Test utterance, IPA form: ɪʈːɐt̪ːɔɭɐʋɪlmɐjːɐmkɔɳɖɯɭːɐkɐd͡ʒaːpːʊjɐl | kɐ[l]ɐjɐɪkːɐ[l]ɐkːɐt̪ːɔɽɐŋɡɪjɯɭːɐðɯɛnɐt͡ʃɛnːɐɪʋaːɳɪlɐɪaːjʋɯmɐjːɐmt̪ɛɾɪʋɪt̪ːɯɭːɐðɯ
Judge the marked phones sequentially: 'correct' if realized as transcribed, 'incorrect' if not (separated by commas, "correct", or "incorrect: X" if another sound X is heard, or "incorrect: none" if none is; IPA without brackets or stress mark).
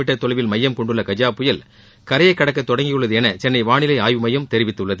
incorrect: ɾ, incorrect: ɽ